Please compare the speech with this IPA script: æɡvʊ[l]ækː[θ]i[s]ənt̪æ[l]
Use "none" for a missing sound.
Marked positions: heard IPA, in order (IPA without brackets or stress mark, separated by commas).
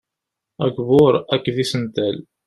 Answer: ɾ, ð, s, l